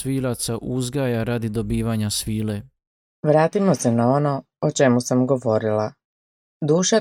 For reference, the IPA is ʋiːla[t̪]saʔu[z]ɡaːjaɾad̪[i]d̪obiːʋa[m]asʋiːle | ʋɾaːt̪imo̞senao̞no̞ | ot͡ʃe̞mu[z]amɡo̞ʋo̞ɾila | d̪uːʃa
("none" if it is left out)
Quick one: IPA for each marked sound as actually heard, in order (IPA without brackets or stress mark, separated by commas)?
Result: t̪, z, i, ɲ, s